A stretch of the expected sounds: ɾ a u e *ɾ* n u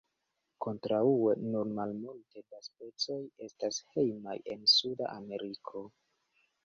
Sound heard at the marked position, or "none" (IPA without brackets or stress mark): none